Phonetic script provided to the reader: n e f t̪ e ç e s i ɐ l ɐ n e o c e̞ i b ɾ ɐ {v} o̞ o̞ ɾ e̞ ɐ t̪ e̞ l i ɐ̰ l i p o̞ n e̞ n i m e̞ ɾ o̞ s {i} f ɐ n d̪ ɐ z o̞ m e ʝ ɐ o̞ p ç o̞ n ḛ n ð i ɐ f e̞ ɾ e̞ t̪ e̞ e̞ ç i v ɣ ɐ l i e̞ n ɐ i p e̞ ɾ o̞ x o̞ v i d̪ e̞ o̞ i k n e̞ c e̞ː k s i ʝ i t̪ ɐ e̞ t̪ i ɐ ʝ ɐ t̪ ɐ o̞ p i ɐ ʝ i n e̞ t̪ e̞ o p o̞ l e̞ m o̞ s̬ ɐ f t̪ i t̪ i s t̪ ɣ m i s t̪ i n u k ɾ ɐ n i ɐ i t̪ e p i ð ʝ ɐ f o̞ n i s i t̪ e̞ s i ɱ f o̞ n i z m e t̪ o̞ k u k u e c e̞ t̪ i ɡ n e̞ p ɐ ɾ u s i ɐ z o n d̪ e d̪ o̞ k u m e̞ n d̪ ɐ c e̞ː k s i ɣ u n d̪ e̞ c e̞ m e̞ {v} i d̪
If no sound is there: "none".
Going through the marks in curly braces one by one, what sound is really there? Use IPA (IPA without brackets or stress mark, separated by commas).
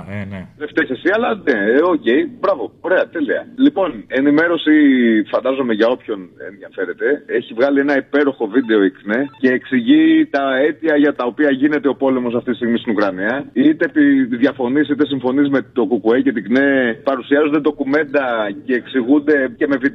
v, i, v